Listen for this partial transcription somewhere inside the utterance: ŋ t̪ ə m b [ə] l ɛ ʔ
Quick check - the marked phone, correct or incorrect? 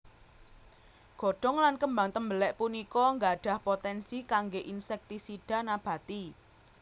correct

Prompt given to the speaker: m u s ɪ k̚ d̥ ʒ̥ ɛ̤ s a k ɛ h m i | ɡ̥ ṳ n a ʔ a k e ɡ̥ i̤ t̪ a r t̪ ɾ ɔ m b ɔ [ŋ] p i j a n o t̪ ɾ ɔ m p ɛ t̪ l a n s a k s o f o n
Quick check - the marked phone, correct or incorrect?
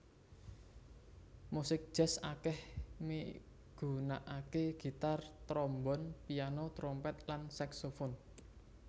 incorrect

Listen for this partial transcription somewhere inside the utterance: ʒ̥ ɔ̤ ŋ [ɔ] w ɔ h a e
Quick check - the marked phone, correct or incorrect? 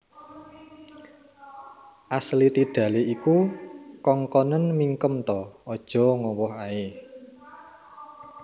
correct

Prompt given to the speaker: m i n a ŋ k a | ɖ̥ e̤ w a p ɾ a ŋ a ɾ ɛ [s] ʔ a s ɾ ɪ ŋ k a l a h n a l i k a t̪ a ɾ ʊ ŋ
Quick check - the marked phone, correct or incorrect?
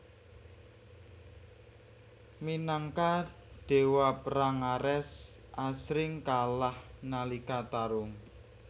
correct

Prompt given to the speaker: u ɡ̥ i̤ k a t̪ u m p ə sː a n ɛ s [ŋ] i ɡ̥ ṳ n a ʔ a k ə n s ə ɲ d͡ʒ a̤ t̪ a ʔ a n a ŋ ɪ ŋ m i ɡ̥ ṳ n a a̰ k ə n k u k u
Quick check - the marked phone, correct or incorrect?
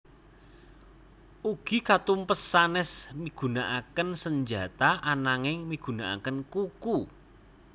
incorrect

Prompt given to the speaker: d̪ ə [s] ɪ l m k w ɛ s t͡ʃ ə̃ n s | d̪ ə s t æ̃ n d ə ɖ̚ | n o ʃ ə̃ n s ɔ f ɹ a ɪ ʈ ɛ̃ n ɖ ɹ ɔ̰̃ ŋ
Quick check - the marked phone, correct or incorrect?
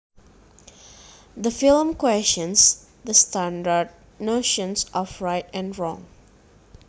incorrect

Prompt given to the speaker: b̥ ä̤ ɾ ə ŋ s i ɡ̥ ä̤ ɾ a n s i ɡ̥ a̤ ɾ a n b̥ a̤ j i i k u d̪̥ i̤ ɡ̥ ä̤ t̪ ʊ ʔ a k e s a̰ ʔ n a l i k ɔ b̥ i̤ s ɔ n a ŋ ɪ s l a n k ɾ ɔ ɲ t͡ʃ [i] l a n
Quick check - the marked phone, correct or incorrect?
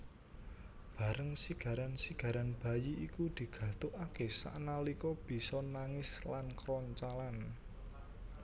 incorrect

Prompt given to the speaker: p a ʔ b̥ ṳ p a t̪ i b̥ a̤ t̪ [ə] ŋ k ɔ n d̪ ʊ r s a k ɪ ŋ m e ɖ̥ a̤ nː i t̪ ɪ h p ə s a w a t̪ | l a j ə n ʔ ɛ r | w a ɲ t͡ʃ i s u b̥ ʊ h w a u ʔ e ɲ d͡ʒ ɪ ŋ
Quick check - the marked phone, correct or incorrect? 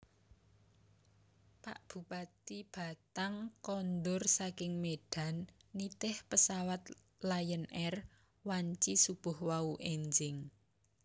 incorrect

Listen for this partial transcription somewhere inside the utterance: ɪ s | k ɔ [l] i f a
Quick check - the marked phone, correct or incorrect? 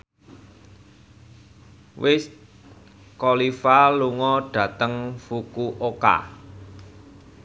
correct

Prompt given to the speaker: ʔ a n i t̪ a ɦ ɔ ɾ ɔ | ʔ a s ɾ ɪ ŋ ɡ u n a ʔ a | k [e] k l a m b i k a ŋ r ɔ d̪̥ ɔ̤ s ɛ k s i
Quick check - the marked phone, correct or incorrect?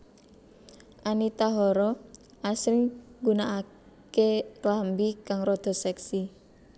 correct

